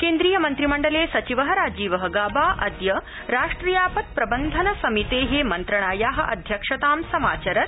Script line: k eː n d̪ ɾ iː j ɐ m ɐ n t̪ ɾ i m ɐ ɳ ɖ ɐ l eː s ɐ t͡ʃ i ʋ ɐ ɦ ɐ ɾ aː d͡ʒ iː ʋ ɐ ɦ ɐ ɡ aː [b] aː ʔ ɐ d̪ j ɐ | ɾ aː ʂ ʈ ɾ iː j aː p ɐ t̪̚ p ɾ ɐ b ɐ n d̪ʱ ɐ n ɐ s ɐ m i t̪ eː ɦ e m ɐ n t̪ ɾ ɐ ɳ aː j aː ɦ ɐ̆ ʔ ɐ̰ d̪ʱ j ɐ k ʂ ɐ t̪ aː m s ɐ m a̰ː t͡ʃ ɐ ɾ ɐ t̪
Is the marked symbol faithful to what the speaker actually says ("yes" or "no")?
yes